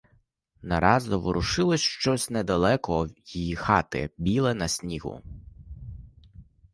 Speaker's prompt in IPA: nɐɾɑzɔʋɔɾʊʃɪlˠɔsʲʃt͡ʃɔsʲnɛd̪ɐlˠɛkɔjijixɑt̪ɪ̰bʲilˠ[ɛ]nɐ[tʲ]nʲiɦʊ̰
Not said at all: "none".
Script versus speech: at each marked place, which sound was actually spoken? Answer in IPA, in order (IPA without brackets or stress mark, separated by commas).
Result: ɛ, sʲ